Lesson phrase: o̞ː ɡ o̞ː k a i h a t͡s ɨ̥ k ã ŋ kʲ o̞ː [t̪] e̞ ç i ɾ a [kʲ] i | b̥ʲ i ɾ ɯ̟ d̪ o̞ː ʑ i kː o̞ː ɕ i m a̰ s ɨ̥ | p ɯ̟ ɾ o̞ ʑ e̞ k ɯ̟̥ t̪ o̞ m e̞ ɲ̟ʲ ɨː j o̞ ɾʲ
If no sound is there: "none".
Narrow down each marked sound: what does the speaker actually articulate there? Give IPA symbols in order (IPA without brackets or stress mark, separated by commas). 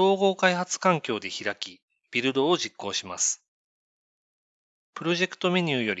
d̪, kʲ